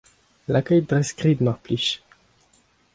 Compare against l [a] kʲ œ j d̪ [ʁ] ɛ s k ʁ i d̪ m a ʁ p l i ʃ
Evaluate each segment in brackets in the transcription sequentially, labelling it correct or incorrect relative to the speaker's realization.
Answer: correct, correct

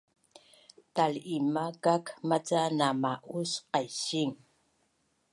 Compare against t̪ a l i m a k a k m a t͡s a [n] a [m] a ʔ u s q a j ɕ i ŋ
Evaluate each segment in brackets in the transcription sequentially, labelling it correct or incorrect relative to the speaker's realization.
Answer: correct, correct

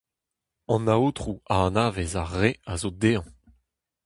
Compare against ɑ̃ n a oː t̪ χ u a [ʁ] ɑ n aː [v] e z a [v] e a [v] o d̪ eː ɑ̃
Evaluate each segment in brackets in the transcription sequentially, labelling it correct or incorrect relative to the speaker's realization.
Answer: incorrect: none, correct, incorrect: ʁ, incorrect: z

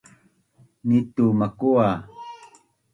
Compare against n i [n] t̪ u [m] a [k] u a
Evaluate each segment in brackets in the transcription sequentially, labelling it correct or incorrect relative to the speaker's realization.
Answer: incorrect: none, correct, correct

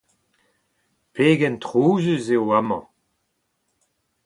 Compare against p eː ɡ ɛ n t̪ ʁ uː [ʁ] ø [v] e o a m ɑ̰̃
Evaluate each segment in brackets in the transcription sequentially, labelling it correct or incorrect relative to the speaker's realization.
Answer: incorrect: z, incorrect: z

